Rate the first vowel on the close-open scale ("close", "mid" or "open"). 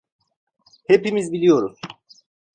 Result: mid